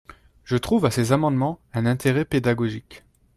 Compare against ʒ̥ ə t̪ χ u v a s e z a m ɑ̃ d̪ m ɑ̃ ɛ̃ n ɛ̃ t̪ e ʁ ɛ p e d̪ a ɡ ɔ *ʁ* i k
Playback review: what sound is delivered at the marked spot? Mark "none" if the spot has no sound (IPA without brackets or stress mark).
ʒ